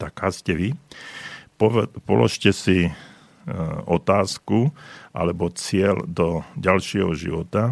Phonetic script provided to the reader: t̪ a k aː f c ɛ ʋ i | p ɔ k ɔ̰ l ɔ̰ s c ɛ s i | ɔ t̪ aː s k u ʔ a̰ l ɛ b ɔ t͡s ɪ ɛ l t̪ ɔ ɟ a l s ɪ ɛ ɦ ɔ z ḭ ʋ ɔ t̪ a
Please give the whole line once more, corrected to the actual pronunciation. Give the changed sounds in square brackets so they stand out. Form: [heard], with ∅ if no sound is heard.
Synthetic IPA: t̪ a k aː [s] c ɛ ʋ i | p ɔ [p] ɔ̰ l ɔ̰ [ʃ] c ɛ s i | ɔ t̪ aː s k u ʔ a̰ l ɛ b ɔ t͡s ɪ ɛ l [d̪] ɔ ɟ a l [ʃ] ɪ ɛ ɦ ɔ [ʒ] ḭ ʋ ɔ t̪ a